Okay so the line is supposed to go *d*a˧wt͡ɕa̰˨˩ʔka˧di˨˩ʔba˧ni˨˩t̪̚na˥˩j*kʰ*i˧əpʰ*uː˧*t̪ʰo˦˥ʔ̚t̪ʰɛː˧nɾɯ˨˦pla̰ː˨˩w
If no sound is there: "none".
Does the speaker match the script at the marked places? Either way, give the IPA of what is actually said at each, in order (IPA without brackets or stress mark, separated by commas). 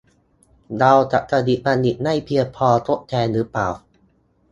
d, pʰ, ɔː˧